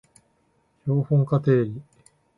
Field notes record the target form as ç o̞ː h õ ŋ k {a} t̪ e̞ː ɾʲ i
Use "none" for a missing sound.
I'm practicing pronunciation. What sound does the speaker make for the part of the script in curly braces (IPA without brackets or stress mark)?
a